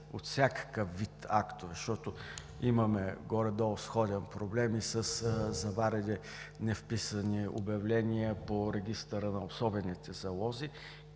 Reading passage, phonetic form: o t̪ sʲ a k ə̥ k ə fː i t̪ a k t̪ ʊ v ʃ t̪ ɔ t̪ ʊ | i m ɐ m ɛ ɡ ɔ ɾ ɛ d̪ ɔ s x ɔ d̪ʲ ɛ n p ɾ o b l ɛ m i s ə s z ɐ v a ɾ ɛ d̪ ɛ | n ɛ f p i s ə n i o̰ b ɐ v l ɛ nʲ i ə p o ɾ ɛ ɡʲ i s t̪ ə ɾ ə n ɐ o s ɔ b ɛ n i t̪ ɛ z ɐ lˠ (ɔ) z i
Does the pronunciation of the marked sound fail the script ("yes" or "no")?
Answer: no